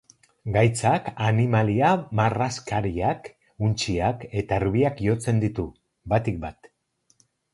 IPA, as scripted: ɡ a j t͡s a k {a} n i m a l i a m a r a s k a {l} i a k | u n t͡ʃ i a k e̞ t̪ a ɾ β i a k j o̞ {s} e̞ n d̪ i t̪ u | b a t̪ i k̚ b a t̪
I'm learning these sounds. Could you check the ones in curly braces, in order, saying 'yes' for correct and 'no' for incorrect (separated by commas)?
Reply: yes, no, no